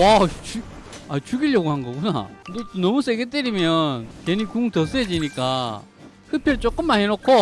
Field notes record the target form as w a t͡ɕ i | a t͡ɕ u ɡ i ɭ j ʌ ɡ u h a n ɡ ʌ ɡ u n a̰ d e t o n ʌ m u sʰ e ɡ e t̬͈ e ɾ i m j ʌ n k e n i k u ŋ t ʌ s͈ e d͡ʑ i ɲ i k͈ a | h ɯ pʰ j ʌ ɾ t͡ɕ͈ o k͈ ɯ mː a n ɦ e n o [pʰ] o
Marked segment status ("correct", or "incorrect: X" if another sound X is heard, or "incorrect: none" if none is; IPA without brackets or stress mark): incorrect: kʰ